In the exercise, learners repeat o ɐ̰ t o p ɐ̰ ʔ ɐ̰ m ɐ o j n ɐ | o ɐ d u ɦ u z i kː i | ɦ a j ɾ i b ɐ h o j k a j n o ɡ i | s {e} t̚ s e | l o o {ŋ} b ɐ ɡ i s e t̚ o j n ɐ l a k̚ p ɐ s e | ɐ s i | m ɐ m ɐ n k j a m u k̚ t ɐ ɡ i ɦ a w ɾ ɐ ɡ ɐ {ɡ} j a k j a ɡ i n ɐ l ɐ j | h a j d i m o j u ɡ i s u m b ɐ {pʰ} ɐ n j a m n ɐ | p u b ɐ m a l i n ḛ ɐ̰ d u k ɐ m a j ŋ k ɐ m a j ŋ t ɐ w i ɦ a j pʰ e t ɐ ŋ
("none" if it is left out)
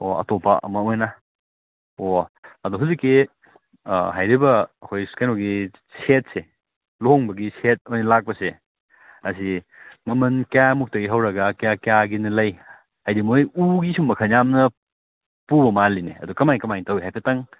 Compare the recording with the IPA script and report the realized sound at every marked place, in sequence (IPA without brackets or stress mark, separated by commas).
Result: e, ŋ, k, kʰ